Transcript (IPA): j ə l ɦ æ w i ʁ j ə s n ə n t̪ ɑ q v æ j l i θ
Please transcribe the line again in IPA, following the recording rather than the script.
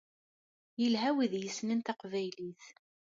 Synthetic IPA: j ə l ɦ æ w i ð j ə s n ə n t̪ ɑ q v æ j l i θ